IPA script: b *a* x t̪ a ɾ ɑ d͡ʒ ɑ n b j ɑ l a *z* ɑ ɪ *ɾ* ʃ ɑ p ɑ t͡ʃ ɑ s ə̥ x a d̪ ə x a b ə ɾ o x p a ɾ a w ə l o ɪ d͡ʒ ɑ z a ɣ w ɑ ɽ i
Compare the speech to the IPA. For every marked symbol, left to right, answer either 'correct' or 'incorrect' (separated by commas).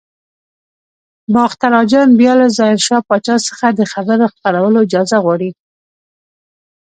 incorrect, correct, correct